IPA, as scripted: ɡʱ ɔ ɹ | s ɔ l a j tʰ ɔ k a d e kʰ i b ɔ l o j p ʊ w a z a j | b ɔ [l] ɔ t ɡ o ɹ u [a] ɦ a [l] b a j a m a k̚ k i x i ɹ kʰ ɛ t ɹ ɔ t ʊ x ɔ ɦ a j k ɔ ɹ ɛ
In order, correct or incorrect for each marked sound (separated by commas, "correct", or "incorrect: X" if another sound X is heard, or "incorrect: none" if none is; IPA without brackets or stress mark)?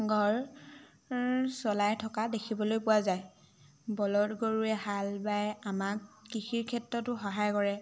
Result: correct, incorrect: ɛ, correct